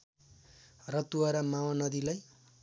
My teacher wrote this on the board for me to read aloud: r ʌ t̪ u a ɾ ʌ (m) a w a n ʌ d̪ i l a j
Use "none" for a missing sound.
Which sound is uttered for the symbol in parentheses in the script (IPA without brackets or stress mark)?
m